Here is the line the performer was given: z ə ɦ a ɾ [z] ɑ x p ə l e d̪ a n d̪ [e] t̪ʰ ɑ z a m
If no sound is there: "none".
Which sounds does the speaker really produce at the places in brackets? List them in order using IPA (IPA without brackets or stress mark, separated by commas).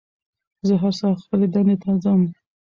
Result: s, e